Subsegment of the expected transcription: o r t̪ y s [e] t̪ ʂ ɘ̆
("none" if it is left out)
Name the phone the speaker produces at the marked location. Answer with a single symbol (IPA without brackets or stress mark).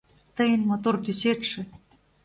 e